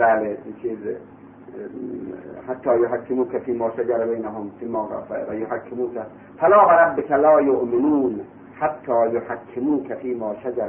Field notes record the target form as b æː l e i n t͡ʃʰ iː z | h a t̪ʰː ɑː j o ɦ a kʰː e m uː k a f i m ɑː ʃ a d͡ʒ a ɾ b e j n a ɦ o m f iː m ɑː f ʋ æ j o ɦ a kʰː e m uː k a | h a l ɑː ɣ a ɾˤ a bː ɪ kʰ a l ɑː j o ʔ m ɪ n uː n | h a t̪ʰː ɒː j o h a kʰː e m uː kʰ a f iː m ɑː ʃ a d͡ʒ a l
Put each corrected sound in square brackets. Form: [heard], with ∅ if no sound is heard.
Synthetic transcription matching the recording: b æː l e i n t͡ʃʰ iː z | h a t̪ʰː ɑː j o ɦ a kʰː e m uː k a f [iː] m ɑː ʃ a d͡ʒ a ɾ b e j n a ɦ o m f iː m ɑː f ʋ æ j o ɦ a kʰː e m uː k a | [f] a l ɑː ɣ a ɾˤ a bː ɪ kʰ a l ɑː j o ʔ m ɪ n uː n | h a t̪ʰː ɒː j o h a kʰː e m uː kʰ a f iː m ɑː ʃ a d͡ʒ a [ɾ]